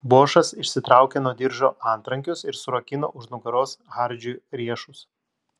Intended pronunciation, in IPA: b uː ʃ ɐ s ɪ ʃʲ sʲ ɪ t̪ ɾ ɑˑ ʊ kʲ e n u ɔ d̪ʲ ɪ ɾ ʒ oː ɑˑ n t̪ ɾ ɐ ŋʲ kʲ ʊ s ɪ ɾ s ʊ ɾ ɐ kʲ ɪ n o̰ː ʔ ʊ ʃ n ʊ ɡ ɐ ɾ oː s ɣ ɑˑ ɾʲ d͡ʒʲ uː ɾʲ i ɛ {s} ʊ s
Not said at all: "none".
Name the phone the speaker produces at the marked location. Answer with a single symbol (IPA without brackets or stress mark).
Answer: ʃ